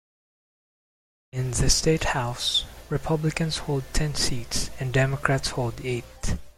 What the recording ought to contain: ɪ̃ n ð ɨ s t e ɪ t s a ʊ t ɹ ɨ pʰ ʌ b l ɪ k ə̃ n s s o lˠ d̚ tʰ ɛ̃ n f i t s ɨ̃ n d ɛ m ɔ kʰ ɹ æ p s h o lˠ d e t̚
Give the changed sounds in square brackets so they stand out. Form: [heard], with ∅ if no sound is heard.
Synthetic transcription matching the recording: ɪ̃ n ð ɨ s t e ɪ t [h] a ʊ [s] ɹ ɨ pʰ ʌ b l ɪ k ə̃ n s [h] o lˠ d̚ tʰ ɛ̃ n [s] i t s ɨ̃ n d ɛ m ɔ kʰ ɹ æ [t] s h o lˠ d e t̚